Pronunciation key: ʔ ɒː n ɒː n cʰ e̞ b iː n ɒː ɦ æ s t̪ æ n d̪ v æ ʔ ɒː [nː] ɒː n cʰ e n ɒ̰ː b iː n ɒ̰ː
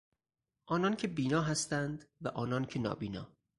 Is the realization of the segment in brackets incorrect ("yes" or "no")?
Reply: yes